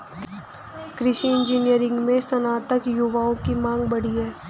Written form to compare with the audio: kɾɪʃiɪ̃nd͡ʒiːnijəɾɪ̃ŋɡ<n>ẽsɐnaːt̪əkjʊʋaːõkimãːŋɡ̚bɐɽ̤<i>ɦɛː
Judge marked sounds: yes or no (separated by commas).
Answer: no, yes